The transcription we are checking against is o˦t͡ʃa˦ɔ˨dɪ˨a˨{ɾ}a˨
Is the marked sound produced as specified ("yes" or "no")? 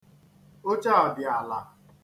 no